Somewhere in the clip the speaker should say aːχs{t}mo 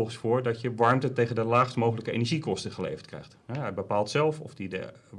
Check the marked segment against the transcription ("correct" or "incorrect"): correct